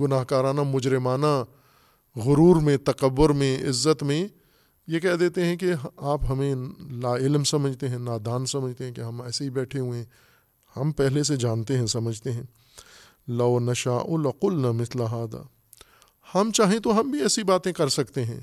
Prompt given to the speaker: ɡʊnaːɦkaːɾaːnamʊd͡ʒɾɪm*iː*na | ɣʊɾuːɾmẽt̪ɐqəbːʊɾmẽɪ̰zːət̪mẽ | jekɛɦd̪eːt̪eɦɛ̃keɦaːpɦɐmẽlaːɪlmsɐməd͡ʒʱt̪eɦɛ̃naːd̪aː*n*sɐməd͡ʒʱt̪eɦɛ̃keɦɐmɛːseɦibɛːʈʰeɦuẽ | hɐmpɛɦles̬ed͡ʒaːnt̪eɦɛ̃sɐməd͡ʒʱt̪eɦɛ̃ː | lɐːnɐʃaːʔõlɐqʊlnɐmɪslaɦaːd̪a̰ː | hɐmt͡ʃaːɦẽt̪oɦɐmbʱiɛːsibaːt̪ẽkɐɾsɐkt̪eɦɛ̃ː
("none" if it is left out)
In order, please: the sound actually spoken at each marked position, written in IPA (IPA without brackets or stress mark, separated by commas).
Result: aː, n